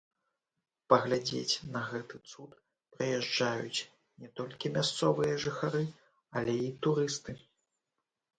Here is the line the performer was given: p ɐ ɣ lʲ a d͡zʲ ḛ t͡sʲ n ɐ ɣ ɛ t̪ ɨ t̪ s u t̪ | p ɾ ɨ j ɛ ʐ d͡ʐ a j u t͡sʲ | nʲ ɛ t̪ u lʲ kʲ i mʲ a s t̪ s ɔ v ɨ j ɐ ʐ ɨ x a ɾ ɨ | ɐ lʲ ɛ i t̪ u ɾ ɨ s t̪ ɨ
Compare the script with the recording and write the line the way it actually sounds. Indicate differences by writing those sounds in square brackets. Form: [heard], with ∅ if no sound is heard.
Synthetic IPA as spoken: p ɐ ɣ lʲ a d͡zʲ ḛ t͡sʲ n ɐ ɣ ɛ t̪ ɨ t̪ s u t̪ | p ɾ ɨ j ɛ ʐ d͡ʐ a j u t͡sʲ | nʲ ɛ t̪ [ɔ] lʲ kʲ i mʲ a s t̪ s ɔ v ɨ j ɐ ʐ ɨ x a ɾ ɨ | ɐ lʲ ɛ i t̪ u ɾ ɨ s t̪ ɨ